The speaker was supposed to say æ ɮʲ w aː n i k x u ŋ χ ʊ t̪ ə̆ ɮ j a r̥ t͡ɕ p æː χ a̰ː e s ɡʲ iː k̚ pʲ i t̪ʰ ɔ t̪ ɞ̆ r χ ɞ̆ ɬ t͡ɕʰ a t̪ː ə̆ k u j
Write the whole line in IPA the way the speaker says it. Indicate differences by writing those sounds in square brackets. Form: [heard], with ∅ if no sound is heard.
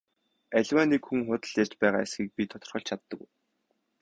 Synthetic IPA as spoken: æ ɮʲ w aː n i k x u ŋ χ ʊ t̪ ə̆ ɮ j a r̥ t͡ɕ p æː [ʁ] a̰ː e s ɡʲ iː k̚ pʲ i t̪ʰ ɔ t̪ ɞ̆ r χ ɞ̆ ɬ t͡ɕʰ a t̪ː ə̆ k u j